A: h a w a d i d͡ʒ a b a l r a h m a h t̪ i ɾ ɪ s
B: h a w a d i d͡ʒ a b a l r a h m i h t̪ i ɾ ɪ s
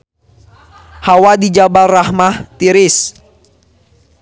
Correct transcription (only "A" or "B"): A